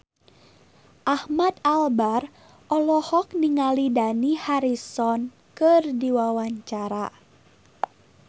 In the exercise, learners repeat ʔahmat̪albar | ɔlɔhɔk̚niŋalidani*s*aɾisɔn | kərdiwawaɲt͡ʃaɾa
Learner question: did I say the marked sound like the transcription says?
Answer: no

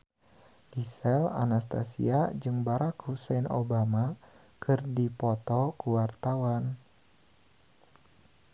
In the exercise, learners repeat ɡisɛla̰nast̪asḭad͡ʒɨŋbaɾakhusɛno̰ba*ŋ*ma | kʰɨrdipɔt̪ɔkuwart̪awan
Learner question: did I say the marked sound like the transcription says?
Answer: no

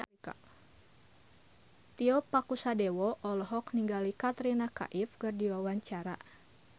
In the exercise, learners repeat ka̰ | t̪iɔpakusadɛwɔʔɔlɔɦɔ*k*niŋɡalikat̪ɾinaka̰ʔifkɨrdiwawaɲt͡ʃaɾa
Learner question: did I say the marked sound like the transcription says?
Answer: yes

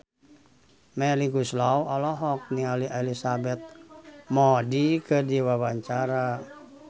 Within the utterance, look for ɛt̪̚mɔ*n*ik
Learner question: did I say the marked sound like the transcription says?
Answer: no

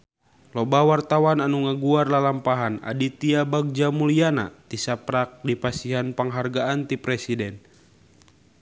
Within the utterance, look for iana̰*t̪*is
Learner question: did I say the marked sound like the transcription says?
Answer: yes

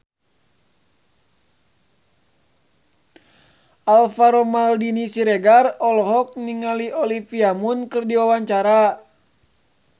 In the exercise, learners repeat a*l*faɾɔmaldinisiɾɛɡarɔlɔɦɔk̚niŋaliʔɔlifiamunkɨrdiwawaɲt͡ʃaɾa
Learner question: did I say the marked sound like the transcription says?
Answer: yes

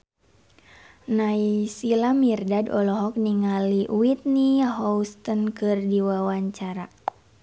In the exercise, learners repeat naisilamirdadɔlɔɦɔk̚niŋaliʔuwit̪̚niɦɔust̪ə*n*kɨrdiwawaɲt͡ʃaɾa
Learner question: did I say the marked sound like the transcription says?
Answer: yes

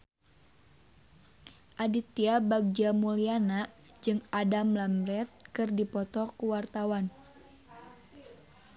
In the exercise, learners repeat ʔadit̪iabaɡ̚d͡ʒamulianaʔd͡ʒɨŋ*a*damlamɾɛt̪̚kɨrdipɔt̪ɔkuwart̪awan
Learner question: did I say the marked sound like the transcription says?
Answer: yes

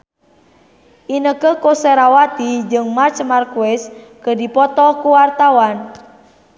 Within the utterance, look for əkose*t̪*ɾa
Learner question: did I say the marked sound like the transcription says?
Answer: no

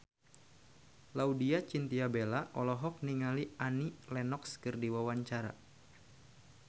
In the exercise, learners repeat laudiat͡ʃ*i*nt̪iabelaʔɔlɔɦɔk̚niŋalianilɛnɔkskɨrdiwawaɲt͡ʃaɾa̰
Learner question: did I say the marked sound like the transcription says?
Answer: yes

